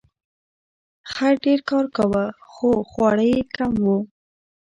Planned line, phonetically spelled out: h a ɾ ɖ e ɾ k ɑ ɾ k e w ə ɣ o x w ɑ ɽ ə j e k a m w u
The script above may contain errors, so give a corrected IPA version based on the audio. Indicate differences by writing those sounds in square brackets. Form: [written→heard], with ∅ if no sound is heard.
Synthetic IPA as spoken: [h→x] a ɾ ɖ e ɾ k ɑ ɾ k [e→a] w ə [ɣ→x] o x w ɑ ɽ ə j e k a m w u